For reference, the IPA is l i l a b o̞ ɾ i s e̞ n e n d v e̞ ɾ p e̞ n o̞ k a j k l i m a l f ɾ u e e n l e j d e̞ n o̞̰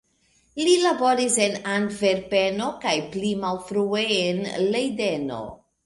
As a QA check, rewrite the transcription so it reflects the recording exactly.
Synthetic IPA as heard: l i l a b o̞ ɾ i s e̞ n a n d v e̞ ɾ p e̞ n o̞ k a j p l i m a l f ɾ u e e n l e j d e̞ n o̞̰